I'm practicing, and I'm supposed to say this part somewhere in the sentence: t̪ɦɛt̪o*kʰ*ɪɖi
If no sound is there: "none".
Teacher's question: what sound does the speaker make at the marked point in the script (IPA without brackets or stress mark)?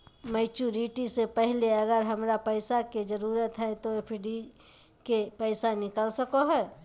pʰ